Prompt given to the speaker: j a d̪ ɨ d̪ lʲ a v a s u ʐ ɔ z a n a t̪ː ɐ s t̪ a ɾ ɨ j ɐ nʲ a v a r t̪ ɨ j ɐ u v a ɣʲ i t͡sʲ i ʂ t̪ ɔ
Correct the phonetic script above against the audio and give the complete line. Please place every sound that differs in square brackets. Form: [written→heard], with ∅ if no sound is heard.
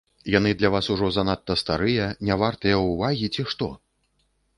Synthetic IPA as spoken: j a [d̪→n̪] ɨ d̪ lʲ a v a s u ʐ ɔ z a n a t̪ː ɐ s t̪ a ɾ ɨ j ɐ nʲ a v a r t̪ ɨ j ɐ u v a ɣʲ i t͡sʲ i ʂ t̪ ɔ

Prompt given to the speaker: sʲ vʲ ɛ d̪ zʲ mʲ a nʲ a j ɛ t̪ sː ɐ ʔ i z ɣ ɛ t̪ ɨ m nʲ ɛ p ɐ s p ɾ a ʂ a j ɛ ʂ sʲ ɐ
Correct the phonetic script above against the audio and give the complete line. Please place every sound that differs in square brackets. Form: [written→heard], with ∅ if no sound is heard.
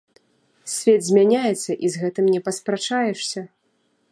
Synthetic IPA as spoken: sʲ vʲ ɛ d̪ zʲ mʲ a nʲ a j ɛ t̪ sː ɐ ʔ i z ɣ ɛ t̪ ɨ m nʲ ɛ p ɐ s p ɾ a [ʂ→t͡ʂ] a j ɛ ʂ sʲ ɐ

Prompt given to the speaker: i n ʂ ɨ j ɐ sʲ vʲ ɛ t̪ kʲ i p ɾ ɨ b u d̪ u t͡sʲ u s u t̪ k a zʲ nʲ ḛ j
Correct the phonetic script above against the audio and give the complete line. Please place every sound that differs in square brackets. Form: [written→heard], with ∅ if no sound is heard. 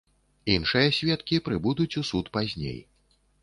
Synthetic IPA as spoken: i n ʂ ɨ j ɐ sʲ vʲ ɛ t̪ kʲ i p ɾ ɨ b u d̪ u t͡sʲ u s u t̪ [k→p] a zʲ nʲ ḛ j

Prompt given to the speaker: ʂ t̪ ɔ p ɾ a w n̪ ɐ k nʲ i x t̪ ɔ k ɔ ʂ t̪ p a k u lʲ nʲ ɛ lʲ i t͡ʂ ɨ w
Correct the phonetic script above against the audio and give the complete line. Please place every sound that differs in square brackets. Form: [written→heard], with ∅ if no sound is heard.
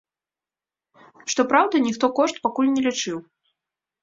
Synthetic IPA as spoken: ʂ t̪ ɔ p ɾ a w [n̪→d̪] ɐ [k→∅] nʲ i x t̪ ɔ k ɔ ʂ t̪ p a k u lʲ nʲ ɛ lʲ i t͡ʂ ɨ w

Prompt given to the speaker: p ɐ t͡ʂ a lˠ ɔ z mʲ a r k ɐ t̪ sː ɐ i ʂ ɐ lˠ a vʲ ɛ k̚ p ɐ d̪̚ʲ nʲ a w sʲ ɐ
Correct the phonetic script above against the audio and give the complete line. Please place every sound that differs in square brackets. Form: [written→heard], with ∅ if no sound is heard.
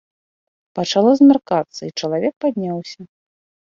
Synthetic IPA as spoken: p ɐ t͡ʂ a lˠ ɔ z mʲ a r k [ɐ→a] t̪ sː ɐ i [ʂ→t͡ʂ] ɐ lˠ a vʲ ɛ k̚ p [ɐ→a] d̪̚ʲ nʲ a w sʲ ɐ

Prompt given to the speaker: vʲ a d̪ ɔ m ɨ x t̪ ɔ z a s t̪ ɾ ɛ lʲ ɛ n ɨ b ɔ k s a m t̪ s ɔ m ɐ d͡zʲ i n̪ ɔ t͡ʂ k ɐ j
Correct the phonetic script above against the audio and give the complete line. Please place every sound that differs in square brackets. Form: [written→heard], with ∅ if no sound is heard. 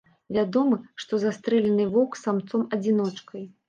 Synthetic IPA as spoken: vʲ a d̪ ɔ m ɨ [x→ʂ] t̪ ɔ z a s t̪ ɾ ɛ lʲ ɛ n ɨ [b→v] ɔ k s a m t̪ s ɔ m ɐ d͡zʲ i n̪ ɔ t͡ʂ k ɐ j

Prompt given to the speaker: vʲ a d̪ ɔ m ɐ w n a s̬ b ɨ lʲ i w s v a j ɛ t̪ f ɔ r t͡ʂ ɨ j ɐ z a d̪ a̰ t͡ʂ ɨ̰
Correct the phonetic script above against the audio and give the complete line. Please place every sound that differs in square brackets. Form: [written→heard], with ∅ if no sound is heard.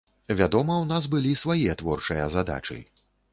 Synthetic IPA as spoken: vʲ a d̪ ɔ m ɐ w n a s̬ b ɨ lʲ i [w→∅] s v a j ɛ t̪ [f→v] ɔ r t͡ʂ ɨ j ɐ z a d̪ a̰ t͡ʂ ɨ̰

